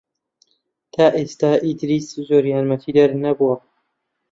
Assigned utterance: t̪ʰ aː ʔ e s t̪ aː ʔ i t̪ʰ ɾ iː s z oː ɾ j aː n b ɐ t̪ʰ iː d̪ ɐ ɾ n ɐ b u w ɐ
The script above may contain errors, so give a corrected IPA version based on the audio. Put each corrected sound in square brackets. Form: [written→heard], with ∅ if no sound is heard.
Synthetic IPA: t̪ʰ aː ʔ e s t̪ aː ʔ i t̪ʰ ɾ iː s z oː ɾ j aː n [b→m] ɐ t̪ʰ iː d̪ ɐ ɾ n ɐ b u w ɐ